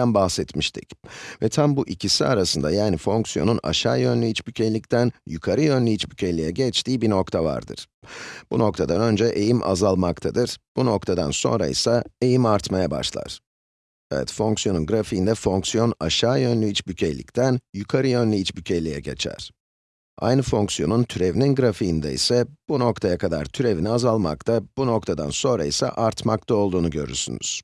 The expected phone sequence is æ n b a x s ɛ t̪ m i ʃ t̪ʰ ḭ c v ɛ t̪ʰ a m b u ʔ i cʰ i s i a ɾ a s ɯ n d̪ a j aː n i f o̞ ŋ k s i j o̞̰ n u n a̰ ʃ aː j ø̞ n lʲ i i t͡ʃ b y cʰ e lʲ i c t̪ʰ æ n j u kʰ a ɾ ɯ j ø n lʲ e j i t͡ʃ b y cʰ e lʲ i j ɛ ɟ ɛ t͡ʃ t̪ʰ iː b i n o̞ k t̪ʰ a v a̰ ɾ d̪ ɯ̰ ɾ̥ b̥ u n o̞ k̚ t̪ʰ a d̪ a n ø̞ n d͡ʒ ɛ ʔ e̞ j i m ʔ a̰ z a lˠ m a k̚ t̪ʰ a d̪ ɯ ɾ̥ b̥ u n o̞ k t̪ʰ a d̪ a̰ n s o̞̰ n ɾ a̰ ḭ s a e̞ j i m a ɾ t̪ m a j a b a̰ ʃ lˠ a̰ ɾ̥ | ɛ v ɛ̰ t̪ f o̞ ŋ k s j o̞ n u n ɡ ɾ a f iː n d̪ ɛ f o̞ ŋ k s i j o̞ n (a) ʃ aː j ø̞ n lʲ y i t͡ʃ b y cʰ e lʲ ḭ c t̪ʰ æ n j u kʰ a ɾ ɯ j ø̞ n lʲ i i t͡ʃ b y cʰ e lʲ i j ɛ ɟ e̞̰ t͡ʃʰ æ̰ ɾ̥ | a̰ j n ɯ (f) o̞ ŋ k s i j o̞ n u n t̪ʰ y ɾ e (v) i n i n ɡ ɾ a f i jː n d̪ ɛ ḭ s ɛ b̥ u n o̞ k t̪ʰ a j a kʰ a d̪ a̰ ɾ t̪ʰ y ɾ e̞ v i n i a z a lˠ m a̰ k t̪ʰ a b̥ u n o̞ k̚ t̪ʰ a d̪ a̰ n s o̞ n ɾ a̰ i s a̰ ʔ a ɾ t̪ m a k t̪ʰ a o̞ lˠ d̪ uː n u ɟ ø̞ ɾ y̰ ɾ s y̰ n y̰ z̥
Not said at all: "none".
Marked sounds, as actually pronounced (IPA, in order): a, f, v

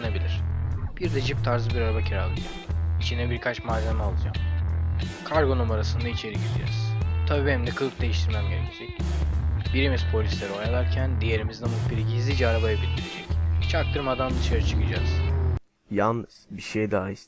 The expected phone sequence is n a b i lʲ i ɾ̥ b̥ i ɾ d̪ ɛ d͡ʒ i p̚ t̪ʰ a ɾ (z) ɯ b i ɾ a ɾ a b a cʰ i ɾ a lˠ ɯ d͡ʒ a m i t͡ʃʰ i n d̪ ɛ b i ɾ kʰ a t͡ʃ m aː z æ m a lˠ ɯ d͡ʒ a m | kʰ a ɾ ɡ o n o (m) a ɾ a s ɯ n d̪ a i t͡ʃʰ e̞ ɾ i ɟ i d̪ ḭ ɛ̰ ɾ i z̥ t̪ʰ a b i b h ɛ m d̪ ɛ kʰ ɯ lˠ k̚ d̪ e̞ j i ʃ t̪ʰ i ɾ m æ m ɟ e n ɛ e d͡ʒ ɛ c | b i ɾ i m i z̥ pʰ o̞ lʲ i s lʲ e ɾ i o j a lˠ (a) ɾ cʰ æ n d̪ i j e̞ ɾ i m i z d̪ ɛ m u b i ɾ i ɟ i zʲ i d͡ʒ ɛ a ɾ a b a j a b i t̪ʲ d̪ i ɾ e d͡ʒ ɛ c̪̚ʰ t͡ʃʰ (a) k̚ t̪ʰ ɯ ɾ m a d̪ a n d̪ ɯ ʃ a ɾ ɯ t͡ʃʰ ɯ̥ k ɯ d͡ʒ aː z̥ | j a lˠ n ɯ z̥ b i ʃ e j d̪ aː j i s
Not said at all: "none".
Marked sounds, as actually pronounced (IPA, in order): z, m, a, a

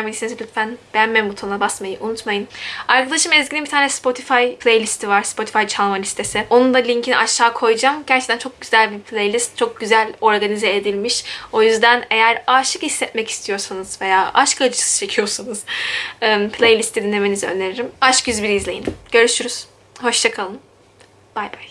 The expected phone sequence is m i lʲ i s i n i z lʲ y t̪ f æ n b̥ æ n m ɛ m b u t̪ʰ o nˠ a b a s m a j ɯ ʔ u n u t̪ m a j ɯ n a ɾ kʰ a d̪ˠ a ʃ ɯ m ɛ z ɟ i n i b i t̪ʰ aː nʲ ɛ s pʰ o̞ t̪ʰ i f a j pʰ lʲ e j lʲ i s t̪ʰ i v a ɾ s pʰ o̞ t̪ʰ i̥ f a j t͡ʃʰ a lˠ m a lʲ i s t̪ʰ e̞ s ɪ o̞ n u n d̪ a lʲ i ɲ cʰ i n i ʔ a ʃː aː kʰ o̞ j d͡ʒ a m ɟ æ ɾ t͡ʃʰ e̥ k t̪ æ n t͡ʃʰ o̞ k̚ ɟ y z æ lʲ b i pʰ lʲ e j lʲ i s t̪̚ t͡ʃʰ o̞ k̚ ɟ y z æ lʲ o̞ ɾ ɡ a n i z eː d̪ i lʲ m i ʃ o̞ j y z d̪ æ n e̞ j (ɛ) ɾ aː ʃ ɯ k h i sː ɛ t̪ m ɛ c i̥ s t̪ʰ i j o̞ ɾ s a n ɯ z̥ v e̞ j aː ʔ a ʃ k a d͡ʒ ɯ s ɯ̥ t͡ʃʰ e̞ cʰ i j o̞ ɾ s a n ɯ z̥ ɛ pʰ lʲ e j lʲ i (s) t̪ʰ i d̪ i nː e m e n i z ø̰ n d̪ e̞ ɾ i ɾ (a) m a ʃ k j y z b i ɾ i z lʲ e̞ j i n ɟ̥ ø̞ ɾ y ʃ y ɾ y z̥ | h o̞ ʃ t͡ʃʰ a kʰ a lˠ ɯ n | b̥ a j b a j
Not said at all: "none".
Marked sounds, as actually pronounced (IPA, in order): æ, s, i

